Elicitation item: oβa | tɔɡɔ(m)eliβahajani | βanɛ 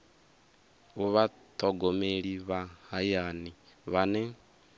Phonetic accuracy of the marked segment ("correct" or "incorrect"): correct